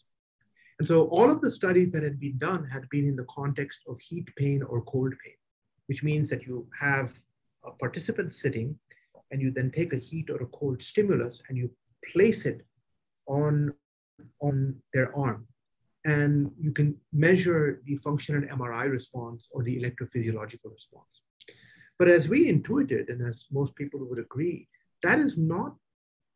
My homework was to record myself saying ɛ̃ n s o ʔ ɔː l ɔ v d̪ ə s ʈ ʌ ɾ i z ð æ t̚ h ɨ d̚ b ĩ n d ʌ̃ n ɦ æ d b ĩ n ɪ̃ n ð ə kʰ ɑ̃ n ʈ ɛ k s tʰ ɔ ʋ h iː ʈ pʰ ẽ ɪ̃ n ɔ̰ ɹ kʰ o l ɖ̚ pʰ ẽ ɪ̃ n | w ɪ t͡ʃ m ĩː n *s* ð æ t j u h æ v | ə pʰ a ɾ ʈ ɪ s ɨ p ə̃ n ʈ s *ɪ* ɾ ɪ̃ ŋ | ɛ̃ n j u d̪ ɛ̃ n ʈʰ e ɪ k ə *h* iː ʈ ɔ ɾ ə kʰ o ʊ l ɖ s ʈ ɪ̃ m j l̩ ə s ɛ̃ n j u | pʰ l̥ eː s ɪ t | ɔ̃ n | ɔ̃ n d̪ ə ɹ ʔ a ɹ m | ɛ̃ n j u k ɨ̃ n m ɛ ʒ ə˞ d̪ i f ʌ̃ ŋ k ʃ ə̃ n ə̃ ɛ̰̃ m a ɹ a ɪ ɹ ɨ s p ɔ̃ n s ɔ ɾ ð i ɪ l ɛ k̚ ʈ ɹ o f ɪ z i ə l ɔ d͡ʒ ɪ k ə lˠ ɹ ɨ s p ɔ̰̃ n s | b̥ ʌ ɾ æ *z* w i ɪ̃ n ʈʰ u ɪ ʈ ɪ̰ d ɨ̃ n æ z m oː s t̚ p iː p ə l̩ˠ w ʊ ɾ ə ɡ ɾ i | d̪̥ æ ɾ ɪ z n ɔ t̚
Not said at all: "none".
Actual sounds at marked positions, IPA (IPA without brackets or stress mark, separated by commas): z, ɪ, h, z